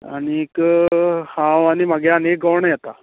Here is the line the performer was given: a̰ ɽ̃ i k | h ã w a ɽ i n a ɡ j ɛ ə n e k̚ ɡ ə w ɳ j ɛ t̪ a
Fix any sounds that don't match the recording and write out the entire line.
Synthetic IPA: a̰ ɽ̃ i k | h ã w a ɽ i m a ɡ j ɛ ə n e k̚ ɡ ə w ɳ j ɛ t̪ a